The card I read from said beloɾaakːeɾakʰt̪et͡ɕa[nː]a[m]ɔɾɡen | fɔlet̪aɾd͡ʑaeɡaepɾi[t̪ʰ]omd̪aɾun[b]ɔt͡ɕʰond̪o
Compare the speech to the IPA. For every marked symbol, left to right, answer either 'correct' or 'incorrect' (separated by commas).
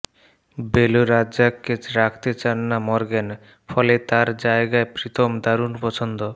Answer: correct, correct, correct, incorrect